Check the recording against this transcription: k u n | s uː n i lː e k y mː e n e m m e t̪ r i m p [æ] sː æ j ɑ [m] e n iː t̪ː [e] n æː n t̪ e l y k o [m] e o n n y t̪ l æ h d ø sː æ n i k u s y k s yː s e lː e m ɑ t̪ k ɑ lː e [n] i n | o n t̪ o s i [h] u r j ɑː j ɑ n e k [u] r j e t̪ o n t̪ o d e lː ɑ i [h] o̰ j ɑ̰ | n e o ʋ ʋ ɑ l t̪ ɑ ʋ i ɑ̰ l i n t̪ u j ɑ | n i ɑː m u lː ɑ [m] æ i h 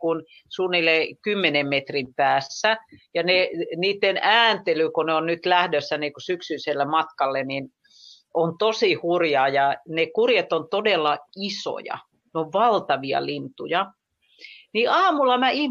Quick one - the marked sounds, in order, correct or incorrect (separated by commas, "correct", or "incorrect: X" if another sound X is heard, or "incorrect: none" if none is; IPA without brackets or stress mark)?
incorrect: æː, incorrect: n, correct, incorrect: n, correct, correct, correct, incorrect: s, correct